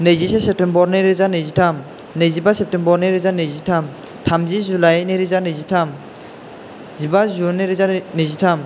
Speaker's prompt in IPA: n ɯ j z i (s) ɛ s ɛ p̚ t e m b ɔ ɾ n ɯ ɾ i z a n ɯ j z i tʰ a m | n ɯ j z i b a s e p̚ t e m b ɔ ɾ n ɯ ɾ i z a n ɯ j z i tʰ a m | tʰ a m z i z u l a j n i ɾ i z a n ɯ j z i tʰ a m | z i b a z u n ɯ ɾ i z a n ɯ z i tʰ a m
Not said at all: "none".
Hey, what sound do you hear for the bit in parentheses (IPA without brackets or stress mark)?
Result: s